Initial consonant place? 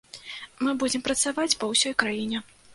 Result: labial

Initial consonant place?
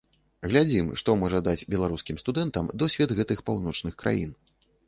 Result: velar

